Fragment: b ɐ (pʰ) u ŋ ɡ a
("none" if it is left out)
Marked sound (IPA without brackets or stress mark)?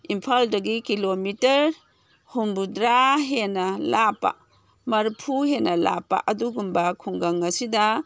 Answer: kʰ